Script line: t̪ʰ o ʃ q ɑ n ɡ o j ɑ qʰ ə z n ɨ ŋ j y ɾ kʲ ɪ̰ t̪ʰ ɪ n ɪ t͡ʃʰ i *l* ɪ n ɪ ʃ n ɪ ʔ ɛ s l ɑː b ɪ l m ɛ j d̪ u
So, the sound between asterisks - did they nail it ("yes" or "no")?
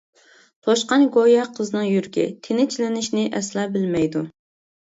yes